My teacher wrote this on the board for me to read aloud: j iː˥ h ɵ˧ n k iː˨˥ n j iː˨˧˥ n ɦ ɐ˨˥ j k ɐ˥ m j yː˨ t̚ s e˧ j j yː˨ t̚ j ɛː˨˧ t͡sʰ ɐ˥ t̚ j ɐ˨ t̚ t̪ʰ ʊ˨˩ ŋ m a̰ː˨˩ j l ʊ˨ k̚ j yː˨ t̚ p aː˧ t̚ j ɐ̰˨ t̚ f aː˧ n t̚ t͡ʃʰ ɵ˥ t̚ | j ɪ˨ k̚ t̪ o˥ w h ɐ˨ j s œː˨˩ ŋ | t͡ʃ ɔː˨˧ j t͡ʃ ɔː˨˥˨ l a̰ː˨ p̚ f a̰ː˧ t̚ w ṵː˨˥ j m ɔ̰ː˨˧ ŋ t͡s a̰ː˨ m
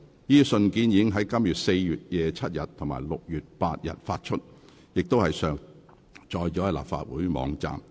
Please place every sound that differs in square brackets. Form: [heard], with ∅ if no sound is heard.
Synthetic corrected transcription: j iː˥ [s] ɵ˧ n k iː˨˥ n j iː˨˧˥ [ŋ] ɦ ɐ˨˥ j k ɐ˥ m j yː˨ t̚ s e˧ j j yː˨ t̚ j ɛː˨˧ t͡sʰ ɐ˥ t̚ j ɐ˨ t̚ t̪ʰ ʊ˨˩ ŋ m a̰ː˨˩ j l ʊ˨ k̚ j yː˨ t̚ p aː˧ t̚ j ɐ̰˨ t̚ f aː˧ [∅] t̚ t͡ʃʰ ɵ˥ t̚ | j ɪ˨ k̚ t̪ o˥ w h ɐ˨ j s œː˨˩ ŋ | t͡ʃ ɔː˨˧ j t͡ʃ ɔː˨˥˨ l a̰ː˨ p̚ f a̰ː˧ t̚ w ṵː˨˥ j m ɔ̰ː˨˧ ŋ t͡s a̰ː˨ m